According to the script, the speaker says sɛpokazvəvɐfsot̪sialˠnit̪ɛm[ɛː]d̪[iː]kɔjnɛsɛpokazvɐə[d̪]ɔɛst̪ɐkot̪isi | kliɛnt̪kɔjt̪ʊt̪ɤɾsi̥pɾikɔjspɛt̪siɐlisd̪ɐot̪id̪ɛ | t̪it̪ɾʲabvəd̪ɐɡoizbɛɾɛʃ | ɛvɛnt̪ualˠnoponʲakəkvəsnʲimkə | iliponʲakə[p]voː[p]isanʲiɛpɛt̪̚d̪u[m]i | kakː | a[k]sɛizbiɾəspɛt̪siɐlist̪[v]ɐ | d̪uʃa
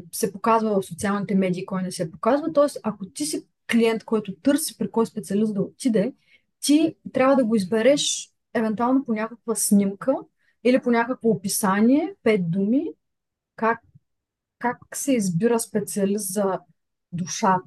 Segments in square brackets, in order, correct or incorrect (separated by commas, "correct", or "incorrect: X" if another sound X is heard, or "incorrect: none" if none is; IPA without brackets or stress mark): incorrect: ɛ, correct, incorrect: t̪, incorrect: k, correct, correct, correct, incorrect: z